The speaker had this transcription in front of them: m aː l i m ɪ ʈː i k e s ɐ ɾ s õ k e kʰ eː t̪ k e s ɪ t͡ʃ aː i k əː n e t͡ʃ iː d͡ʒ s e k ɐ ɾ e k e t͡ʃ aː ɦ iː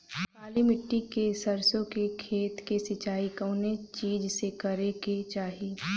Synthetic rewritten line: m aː l i m ɪ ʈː i k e s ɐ ɾ s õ k e kʰ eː t̪ k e s ɪ t͡ʃ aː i k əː n e t͡ʃ iː d͡ʒ s e k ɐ ɾ e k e t͡ʃ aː ɦ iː